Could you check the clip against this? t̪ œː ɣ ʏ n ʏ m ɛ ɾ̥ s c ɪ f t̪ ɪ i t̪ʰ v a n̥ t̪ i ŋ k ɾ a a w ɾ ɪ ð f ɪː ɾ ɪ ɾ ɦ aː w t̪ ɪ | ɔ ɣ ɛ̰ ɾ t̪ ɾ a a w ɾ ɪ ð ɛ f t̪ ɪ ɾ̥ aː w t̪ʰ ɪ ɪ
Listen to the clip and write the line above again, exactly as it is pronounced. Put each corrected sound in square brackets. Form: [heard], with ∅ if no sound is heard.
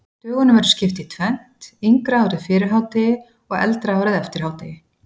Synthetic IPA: t̪ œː ɣ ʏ n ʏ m ɛ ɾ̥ s c ɪ f t̪ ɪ i t̪ʰ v [ɛ] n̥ t̪ i ŋ k ɾ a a w ɾ ɪ ð f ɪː ɾ ɪ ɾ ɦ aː w t̪ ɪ | ɔ ɣ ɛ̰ [l] t̪ ɾ a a w ɾ ɪ ð ɛ f t̪ ɪ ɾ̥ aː w [t̪] ɪ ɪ